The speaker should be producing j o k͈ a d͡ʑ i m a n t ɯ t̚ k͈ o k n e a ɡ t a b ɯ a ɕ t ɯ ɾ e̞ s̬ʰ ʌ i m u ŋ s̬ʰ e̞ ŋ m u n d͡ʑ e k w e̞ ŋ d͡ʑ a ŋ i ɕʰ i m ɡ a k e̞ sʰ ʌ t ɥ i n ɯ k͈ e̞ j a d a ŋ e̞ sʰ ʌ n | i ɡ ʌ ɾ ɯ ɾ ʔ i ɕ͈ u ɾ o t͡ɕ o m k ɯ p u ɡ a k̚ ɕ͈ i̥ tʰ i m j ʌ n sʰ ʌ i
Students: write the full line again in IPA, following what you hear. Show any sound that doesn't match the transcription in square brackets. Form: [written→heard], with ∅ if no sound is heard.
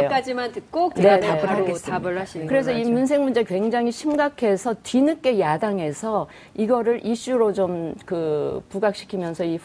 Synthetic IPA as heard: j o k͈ a d͡ʑ i m a n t ɯ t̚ k͈ o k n e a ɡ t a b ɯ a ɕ [t→k] ɯ ɾ e̞ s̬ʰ ʌ i m u [ŋ→n] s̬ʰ e̞ ŋ m u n d͡ʑ e k w e̞ ŋ d͡ʑ a ŋ i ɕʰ i m ɡ a [k→kʰ] e̞ sʰ ʌ t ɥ i n ɯ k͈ e̞ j a d a ŋ e̞ sʰ ʌ [n→∅] | i ɡ ʌ ɾ ɯ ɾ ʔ i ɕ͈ u ɾ o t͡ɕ o m k ɯ p u ɡ a k̚ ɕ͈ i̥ [tʰ→kʰ] i m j ʌ n sʰ ʌ i